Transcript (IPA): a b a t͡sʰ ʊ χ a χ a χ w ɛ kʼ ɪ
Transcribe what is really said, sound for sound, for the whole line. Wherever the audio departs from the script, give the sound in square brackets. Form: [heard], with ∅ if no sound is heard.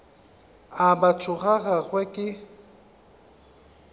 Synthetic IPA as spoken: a b a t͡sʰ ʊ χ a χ a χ w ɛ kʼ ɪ